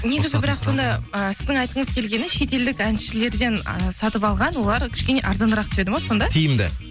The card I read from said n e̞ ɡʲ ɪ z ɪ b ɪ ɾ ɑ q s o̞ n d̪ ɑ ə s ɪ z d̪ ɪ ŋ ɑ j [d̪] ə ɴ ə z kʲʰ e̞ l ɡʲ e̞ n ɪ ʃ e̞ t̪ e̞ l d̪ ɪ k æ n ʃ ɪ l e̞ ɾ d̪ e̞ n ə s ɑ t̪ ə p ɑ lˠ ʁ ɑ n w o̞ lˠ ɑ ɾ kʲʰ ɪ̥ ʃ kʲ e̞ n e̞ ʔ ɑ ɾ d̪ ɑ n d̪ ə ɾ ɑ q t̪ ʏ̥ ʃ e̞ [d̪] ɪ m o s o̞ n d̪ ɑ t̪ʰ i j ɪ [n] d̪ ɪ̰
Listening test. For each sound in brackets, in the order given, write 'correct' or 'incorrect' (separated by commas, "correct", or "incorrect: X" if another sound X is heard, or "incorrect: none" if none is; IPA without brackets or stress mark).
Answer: incorrect: t̪, correct, incorrect: m